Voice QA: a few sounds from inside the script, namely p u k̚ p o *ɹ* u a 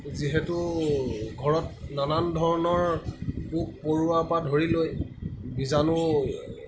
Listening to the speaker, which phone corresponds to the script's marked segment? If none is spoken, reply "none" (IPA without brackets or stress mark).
ɹ